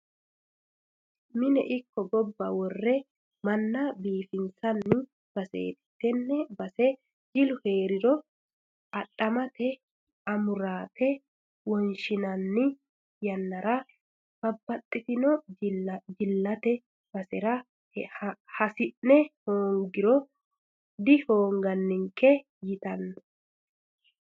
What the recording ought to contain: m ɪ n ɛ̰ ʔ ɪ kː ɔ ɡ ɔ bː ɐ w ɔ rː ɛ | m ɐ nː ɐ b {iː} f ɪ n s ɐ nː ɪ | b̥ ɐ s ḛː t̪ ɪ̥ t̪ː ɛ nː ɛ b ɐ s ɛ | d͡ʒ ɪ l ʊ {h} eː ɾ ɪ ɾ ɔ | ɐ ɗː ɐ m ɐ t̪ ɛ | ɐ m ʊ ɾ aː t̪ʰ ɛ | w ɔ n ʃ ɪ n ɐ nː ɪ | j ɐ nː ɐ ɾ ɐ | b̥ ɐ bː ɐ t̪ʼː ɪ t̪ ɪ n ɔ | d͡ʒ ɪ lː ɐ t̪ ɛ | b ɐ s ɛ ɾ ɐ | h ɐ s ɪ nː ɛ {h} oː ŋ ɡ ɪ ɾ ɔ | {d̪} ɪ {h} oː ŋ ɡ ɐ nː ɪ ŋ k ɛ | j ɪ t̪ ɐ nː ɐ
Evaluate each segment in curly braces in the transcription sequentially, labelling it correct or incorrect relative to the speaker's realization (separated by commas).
correct, correct, correct, correct, correct